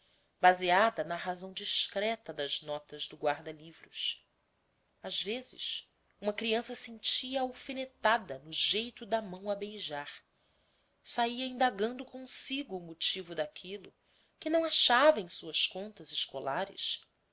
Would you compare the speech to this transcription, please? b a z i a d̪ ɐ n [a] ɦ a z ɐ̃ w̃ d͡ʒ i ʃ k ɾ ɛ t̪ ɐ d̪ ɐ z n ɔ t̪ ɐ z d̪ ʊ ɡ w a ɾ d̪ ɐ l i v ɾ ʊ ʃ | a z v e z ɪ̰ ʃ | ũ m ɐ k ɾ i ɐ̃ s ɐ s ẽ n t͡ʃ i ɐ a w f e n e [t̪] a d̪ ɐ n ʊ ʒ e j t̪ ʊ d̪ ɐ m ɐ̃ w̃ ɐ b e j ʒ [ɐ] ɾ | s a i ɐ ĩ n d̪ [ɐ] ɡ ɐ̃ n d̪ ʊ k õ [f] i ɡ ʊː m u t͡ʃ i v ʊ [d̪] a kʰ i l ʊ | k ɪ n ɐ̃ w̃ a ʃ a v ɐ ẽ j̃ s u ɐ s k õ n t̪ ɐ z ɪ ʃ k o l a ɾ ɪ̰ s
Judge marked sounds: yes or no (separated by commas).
no, yes, no, no, no, yes